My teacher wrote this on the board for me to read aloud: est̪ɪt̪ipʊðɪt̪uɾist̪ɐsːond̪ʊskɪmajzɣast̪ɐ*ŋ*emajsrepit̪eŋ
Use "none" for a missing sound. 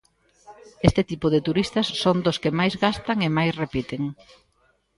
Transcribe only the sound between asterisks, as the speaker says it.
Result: ŋ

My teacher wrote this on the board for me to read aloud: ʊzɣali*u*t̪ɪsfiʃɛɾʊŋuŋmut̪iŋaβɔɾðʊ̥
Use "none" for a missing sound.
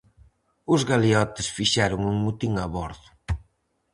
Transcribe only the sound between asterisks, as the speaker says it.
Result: ɔ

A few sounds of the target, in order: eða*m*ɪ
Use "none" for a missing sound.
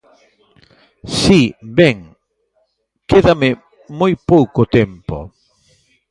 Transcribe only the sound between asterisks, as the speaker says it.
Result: m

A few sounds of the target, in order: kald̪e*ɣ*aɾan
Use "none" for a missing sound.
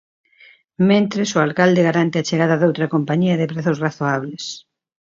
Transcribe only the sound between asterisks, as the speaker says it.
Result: ɣ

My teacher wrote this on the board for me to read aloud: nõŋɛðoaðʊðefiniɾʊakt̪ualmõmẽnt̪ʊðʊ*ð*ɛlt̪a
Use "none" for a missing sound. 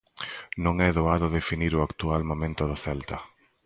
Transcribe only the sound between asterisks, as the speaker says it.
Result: θ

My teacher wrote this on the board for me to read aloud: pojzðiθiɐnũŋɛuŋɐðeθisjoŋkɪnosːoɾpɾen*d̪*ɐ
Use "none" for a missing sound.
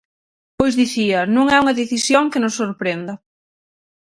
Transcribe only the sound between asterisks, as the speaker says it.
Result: d̪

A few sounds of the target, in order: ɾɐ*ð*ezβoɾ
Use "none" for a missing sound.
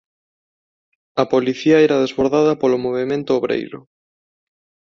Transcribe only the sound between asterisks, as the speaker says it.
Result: ð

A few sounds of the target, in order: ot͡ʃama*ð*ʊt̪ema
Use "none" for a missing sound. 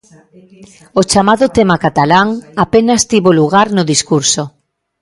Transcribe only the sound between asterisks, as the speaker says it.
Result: ð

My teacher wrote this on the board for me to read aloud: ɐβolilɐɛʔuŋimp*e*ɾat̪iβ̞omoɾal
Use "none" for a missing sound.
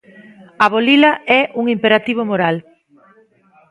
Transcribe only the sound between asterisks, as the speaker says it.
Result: e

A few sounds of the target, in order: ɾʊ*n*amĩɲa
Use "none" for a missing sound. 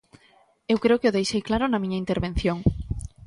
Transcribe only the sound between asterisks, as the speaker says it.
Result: n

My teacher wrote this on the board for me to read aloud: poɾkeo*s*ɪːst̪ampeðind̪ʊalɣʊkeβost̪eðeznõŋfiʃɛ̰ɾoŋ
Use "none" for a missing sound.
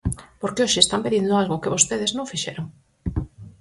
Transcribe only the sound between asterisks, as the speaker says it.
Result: ʃ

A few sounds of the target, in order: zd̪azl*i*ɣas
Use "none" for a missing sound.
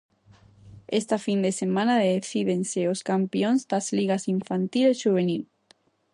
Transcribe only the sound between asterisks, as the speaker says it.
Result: i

